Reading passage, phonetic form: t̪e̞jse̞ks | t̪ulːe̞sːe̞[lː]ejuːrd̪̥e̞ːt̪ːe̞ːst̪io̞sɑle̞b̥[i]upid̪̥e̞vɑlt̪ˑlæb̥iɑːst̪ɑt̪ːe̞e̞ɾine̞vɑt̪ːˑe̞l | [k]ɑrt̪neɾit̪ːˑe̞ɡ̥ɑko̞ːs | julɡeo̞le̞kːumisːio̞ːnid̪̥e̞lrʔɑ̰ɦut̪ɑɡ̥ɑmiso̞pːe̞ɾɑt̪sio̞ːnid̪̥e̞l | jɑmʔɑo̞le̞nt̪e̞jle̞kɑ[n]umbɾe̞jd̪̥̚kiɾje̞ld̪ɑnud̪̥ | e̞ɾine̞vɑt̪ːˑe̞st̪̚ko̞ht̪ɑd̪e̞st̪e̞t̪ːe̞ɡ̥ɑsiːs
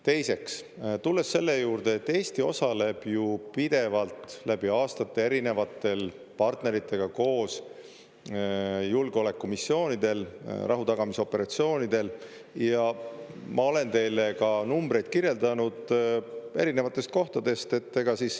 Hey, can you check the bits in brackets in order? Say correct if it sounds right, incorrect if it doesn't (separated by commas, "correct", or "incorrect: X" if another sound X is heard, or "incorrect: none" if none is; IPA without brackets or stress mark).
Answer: correct, incorrect: j, incorrect: p, correct